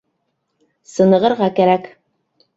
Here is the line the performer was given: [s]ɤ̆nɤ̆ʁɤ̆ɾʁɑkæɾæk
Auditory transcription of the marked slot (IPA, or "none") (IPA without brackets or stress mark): s